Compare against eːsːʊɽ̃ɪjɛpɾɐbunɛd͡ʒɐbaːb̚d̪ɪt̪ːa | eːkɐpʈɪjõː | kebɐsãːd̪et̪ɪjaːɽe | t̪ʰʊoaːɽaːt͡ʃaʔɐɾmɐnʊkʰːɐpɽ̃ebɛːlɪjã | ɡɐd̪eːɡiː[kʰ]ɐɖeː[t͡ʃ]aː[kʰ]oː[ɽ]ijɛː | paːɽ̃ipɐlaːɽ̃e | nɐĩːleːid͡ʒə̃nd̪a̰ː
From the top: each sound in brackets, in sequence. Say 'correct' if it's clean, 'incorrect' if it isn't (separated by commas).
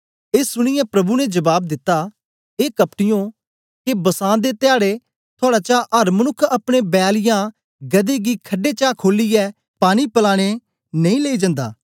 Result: correct, correct, correct, incorrect